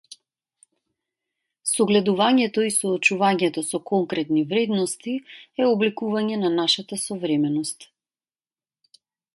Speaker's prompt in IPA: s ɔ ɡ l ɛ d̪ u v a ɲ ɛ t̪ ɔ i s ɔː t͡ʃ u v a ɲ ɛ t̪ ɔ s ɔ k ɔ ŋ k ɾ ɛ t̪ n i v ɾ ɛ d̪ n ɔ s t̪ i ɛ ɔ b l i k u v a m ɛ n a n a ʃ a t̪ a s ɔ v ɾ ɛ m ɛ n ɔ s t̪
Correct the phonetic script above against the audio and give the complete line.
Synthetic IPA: s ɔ ɡ l ɛ d̪ u v a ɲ ɛ t̪ ɔ i s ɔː t͡ʃ u v a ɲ ɛ t̪ ɔ s ɔ k ɔ ŋ k ɾ ɛ t̪ n i v ɾ ɛ d̪ n ɔ s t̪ i ɛ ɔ b l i k u v a ɲ ɛ n a n a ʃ a t̪ a s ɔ v ɾ ɛ m ɛ n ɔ s t̪